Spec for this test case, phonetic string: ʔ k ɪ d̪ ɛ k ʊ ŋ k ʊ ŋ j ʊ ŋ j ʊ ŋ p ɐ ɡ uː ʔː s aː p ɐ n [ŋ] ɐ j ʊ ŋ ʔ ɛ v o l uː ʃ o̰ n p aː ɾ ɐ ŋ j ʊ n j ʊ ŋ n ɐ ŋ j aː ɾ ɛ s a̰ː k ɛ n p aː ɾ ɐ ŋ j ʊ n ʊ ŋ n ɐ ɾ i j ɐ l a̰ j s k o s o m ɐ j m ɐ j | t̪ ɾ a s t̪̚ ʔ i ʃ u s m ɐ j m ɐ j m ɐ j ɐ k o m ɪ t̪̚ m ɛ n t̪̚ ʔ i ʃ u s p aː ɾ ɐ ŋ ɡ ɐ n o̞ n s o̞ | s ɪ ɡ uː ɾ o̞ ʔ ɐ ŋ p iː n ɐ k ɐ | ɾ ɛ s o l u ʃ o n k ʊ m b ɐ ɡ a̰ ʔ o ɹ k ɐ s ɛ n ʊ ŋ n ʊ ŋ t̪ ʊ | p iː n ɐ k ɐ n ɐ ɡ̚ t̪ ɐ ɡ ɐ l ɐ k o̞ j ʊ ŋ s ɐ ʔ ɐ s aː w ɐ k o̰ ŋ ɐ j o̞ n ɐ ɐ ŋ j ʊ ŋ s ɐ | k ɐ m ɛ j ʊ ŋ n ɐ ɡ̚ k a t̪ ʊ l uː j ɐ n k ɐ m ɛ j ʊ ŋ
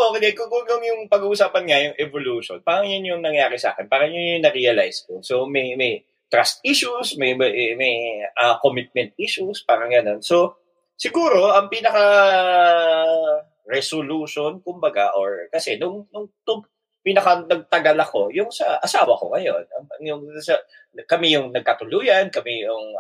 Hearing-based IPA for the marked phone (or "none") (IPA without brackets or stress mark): ŋ